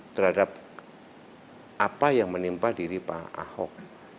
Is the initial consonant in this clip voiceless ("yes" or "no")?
yes